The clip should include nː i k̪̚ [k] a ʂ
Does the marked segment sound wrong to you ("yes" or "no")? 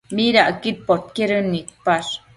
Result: yes